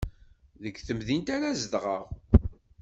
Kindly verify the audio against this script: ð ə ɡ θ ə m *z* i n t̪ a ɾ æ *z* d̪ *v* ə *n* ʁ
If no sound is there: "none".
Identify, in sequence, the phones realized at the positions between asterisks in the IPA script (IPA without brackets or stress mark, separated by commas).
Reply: ð, z, ʁ, none